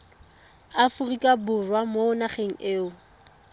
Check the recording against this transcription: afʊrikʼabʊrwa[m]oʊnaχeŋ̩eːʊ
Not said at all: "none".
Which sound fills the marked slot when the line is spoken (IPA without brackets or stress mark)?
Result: m